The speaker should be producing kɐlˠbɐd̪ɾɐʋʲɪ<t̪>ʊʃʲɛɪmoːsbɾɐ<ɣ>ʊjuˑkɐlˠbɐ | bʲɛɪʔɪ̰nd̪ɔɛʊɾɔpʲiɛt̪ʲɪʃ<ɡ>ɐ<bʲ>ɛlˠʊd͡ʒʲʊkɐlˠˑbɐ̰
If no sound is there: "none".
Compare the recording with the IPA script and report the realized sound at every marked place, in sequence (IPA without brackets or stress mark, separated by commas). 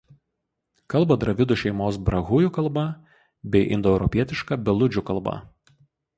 d̪, ɣ, k, bʲ